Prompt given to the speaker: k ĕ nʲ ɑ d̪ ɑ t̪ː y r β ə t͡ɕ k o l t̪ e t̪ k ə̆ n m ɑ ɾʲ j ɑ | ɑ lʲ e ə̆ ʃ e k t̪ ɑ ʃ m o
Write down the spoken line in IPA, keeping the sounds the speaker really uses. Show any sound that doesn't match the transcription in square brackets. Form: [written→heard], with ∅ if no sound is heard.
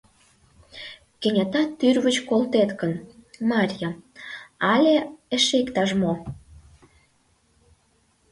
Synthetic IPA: k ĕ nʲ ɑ [d̪→t̪] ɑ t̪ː y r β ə t͡ɕ k o l t̪ e t̪ k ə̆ n m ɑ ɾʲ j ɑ | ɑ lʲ e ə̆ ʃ e k t̪ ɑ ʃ m o